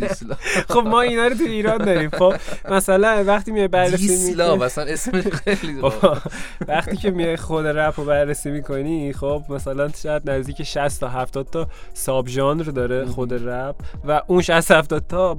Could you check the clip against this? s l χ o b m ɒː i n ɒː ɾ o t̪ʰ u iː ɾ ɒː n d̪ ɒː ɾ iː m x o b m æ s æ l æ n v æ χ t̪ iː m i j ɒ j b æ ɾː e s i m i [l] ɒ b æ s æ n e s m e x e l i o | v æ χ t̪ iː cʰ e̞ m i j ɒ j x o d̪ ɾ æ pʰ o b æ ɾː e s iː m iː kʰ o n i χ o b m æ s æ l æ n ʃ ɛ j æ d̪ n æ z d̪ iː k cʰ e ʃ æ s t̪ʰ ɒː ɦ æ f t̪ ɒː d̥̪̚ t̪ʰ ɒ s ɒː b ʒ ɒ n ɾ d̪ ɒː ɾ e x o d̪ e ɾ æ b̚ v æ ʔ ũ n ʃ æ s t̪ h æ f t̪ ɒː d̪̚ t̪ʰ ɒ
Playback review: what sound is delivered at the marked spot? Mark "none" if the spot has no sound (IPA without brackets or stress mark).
l